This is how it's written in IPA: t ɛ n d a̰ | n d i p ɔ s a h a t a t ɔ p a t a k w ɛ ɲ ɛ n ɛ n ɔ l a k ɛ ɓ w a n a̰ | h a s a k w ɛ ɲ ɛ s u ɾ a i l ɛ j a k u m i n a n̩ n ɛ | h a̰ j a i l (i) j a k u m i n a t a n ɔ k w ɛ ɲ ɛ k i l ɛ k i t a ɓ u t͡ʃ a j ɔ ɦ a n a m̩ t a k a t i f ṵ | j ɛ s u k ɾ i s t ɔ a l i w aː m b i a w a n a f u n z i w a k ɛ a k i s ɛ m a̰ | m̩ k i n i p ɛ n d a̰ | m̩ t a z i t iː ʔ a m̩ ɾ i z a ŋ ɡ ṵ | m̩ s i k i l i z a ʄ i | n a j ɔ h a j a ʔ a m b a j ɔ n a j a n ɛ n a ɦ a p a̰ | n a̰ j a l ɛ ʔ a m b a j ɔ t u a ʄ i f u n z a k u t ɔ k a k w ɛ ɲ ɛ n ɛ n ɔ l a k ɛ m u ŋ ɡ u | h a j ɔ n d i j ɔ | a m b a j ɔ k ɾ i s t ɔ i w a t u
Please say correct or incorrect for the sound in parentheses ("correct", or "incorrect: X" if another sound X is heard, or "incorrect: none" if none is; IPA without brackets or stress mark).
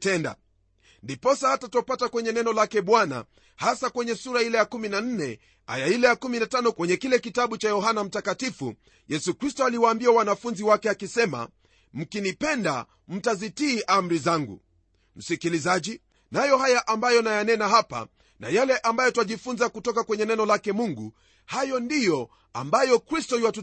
incorrect: ɛ